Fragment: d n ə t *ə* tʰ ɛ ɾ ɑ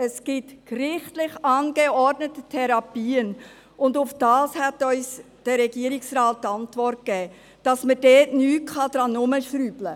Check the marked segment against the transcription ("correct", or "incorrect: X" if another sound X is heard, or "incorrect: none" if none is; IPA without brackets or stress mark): correct